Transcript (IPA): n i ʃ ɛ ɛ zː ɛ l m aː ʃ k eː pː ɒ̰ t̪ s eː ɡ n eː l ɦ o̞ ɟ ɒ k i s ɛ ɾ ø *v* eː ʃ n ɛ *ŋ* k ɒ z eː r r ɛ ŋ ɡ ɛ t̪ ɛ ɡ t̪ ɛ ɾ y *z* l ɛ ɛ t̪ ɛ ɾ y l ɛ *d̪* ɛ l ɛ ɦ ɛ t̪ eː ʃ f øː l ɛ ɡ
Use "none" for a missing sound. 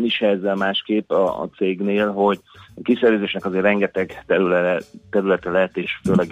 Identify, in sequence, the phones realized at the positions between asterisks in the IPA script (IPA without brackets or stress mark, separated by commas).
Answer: z, none, none, t̪